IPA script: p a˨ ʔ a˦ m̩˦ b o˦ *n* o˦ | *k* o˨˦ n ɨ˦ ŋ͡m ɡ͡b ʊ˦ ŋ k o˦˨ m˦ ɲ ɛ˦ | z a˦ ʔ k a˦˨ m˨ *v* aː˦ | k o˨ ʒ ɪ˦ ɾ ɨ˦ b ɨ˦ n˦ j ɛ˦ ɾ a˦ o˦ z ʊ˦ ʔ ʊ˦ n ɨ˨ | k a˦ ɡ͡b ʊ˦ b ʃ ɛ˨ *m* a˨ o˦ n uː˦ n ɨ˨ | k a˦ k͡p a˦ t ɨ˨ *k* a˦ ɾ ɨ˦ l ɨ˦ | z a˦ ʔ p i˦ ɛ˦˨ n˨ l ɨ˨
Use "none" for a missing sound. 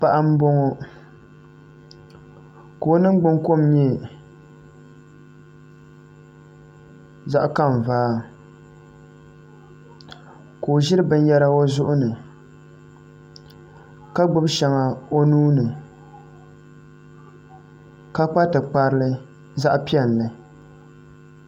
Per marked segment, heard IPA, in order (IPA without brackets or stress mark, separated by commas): ŋ, k, v, ŋ, k͡p